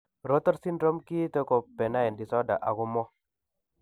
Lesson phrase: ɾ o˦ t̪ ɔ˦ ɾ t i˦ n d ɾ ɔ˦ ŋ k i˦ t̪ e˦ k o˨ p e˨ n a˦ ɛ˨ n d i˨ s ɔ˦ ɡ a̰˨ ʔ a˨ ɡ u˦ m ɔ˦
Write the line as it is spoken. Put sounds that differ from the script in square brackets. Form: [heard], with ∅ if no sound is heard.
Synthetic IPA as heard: ɾ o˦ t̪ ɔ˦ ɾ [s] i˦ n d ɾ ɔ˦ [m] k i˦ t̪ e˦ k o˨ p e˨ n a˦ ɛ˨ n d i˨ s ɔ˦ [d] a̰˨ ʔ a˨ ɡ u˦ m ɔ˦